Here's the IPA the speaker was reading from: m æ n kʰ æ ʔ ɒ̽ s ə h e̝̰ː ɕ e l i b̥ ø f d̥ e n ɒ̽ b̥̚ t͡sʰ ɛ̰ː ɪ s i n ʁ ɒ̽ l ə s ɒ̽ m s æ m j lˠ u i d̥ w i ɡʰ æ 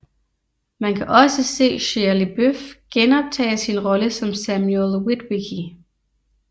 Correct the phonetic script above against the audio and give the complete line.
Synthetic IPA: m æ n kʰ æ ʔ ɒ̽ s ə s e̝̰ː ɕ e l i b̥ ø f ɡ̥ e n ɒ̽ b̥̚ t͡sʰ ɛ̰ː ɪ s i n ʁ ɒ̽ l ə s ɒ̽ m s æ m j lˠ w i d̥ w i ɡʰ i